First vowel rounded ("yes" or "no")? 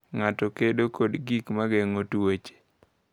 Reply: no